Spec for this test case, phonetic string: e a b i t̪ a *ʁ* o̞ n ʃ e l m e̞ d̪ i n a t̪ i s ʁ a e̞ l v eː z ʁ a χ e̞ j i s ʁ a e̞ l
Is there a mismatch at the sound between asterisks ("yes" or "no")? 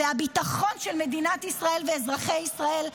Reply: yes